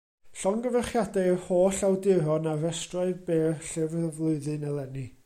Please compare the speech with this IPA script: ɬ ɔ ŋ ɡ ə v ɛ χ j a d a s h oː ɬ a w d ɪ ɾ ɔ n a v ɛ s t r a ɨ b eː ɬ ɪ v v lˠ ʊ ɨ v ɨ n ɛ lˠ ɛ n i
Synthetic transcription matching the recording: ɬ ɔ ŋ ɡ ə v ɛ χ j a d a h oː ɬ a w d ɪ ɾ ɔ n a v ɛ s t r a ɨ b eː ɬ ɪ v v lˠ ʊ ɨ ð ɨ n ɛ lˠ ɛ n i